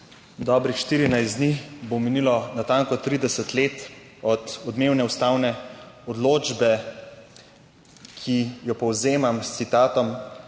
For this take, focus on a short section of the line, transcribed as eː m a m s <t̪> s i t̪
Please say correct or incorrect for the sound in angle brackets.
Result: correct